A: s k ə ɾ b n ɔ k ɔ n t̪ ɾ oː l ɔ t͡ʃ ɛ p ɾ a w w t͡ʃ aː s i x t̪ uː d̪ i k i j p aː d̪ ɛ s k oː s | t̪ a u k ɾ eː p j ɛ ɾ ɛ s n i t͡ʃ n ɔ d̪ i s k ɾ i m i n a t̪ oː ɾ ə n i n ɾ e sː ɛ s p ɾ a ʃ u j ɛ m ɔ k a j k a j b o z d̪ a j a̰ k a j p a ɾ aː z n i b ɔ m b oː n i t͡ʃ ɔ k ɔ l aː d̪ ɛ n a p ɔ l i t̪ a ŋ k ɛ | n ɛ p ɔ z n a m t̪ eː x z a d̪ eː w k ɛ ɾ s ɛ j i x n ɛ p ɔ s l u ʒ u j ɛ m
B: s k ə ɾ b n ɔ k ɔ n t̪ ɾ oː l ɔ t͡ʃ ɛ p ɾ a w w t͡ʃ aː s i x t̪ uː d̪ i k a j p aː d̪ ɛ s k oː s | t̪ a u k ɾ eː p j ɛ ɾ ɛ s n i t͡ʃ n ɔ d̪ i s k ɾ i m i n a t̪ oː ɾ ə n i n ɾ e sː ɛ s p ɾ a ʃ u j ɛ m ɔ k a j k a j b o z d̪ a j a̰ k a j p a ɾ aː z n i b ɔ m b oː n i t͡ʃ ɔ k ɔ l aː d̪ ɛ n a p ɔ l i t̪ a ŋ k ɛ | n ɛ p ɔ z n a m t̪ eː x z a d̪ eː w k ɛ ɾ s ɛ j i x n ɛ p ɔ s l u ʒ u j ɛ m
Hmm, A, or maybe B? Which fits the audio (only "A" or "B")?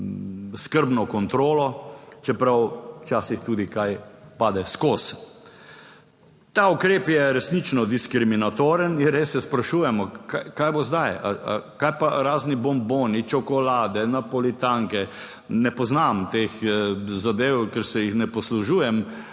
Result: B